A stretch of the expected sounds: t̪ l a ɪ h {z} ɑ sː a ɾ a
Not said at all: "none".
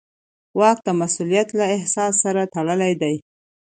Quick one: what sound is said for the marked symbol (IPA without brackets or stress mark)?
s